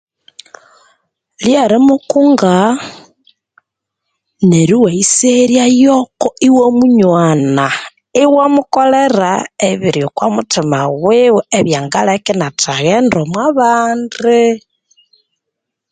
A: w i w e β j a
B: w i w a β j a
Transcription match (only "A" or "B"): A